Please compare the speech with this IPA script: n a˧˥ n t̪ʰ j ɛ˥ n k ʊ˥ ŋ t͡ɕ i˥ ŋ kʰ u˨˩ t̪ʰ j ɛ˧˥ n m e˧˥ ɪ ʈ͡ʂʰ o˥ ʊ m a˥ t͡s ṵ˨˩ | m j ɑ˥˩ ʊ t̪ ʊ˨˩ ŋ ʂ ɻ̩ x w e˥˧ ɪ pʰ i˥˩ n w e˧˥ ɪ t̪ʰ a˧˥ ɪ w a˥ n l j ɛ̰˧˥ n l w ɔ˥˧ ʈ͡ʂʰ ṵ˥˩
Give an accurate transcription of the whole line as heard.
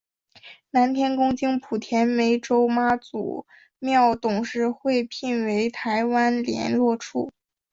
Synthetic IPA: n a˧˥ n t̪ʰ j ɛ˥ n k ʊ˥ ŋ t͡ɕ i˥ ŋ pʰ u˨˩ t̪ʰ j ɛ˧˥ n m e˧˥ ɪ ʈ͡ʂ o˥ ʊ m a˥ t͡s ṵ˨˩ | m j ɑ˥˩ ʊ t̪ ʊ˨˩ ŋ ʂ ɻ̩ x w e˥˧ ɪ pʰ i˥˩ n w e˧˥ ɪ t̪ʰ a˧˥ ɪ w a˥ n l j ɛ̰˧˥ n l w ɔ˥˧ ʈ͡ʂʰ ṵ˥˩